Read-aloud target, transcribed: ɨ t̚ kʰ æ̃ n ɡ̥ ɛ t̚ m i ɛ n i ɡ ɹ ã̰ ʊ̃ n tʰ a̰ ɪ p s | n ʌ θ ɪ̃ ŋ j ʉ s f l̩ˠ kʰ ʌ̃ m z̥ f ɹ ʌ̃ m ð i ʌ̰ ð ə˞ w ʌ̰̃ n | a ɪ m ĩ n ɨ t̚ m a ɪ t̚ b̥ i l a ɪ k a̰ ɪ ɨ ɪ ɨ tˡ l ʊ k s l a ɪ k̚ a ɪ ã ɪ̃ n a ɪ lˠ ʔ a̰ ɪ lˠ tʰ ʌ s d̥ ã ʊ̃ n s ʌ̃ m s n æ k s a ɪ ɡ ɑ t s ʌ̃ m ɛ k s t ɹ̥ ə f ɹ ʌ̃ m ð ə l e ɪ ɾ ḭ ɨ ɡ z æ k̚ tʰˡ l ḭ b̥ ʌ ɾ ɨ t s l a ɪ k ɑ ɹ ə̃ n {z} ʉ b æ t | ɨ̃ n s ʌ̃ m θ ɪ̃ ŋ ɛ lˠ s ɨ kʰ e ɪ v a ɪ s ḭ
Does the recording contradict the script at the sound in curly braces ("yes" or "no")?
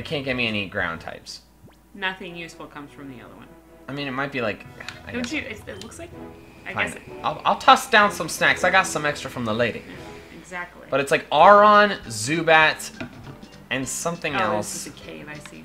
no